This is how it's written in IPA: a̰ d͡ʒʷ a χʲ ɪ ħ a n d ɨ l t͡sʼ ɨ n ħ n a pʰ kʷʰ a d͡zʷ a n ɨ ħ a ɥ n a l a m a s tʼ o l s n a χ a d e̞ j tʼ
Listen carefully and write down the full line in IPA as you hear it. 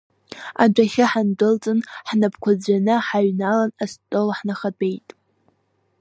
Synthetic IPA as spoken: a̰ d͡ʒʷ a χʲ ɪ ħ a n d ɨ l t͡sʼ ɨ n ħ n a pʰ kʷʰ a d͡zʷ a n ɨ ħ a ɥ n a l a n a s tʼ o l ħ n a χ a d e̞ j tʼ